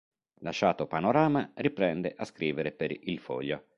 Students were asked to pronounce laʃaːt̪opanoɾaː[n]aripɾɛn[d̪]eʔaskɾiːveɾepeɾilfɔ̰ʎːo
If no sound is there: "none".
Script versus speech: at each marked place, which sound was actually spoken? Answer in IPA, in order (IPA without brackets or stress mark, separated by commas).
m, d̪